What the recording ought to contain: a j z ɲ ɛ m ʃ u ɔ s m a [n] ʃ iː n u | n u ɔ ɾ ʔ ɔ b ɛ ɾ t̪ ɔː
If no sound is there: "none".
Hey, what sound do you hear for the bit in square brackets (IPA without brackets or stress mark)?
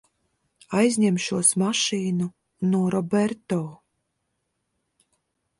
none